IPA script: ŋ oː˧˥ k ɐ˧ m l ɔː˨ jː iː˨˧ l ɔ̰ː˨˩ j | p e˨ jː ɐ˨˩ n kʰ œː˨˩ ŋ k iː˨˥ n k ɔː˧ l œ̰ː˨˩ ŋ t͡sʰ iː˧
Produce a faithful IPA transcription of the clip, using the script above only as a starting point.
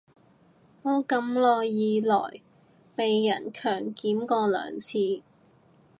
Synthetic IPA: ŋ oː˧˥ k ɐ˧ m l ɔː˨ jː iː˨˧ l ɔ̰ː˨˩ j | p e˨ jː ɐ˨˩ n kʰ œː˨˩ ŋ k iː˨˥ m k ɔː˧ l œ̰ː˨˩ ŋ t͡sʰ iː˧